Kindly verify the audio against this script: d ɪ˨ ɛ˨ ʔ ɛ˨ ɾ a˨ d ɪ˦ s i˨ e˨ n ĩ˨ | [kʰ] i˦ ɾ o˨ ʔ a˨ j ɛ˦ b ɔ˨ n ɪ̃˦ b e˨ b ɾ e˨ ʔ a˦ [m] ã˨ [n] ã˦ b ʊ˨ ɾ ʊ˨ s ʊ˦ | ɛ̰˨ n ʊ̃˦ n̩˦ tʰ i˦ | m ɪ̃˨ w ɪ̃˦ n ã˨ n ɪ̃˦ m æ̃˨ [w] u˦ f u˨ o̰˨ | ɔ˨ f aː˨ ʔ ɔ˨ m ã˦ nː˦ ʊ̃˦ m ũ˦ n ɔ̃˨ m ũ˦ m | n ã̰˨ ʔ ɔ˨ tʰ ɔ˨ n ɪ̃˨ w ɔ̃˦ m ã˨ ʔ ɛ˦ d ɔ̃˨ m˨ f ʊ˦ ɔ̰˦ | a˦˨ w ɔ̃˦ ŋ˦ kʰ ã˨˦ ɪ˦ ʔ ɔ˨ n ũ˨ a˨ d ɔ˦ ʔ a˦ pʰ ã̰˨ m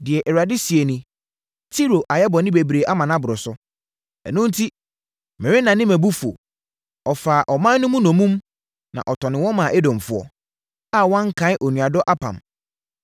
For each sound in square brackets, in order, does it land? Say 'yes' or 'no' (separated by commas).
no, yes, yes, no